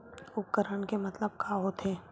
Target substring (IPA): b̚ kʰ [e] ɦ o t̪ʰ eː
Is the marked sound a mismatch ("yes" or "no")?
yes